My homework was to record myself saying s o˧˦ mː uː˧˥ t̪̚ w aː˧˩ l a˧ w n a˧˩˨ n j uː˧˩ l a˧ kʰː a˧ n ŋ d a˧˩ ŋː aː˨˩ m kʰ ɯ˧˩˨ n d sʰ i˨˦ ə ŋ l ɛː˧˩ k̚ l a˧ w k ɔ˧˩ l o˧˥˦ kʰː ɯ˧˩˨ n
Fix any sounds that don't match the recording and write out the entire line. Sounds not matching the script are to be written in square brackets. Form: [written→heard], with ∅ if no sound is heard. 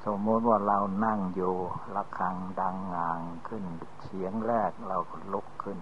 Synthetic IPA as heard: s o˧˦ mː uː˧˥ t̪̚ w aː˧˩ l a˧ w n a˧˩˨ [n→ŋ] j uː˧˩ l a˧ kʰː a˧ [n→∅] ŋ d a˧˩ ŋː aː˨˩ [m→ŋ] kʰ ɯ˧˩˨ n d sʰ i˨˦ ə ŋ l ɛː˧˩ k̚ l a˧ w k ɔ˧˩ l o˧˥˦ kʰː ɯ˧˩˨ n